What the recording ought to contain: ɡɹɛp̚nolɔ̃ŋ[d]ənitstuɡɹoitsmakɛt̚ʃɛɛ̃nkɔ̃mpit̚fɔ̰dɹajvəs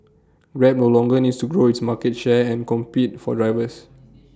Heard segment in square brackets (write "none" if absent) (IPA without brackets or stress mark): ɡ